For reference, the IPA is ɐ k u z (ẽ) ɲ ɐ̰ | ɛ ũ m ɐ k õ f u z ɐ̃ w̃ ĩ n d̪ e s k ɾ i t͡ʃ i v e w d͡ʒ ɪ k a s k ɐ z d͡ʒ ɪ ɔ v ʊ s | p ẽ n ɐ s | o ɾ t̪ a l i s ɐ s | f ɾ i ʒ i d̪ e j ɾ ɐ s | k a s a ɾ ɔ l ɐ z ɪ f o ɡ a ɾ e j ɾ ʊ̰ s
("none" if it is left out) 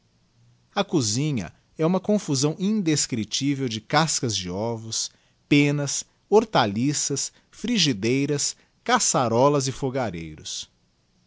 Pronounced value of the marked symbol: ĩ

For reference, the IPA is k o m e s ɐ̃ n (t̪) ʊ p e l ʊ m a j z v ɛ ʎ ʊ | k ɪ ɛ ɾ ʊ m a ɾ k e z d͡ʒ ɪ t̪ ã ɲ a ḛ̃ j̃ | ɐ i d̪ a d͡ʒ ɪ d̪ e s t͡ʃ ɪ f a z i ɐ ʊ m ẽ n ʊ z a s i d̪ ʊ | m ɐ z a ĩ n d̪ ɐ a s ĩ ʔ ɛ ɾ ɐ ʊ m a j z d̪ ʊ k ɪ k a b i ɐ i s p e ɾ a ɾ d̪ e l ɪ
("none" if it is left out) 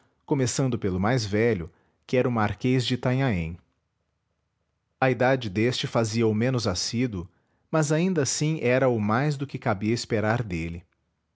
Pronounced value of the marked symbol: d̪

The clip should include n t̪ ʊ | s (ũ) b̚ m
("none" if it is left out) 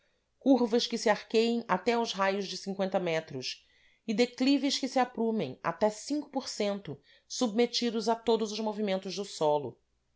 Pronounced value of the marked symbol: u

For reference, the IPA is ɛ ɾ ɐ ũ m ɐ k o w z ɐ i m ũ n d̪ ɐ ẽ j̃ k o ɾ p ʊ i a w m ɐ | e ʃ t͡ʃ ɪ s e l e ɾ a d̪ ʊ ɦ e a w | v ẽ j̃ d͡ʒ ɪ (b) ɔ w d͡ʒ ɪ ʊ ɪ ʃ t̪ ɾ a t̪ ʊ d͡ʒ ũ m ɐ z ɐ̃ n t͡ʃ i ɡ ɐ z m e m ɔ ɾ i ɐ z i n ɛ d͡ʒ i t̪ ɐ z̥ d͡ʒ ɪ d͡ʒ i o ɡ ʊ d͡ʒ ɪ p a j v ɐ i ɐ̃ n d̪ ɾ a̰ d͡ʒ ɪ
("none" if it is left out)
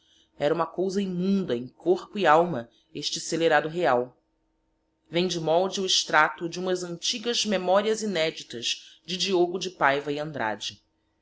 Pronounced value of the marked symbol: m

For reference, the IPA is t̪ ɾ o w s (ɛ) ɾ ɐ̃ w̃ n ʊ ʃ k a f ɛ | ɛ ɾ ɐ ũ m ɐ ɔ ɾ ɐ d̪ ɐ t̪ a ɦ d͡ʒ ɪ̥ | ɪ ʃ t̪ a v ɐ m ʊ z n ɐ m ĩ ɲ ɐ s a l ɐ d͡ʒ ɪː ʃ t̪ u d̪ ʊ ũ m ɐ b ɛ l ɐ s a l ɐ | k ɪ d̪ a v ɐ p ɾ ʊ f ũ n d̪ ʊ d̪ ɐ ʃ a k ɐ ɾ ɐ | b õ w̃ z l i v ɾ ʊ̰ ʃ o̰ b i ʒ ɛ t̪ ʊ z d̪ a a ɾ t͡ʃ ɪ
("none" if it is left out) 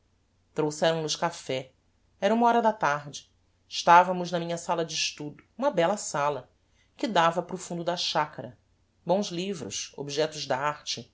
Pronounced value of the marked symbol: ɛ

